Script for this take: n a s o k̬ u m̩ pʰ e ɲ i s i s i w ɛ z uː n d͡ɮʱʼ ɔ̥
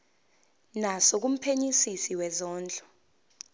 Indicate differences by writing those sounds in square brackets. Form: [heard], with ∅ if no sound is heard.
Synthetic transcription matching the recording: n a s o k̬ u m̩ pʰ e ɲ i s i s i w ɛ z [ɔː] n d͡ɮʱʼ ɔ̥